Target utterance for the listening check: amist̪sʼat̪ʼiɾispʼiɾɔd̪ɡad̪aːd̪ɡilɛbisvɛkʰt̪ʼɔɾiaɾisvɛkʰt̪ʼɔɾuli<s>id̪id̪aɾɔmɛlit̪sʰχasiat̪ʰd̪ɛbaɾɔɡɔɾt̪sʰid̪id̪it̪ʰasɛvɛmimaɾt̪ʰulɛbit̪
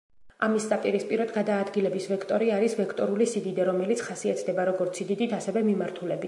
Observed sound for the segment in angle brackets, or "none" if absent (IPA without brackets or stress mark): s